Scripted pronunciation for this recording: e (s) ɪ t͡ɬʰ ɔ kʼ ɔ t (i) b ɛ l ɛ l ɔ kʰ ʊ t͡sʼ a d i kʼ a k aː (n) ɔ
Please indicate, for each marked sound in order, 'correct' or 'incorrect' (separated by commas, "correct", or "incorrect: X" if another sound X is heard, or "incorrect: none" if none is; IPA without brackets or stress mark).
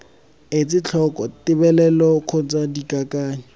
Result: incorrect: t͡s, incorrect: ɪ, incorrect: ɲ